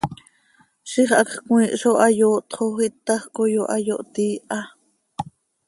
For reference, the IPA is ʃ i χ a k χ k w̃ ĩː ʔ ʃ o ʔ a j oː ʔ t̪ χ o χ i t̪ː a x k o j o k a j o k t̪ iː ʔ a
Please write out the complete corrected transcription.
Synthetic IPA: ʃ i χ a k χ k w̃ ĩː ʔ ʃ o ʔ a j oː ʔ t̪ χ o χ i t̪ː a χ k o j o ʔ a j o ʔ t̪ iː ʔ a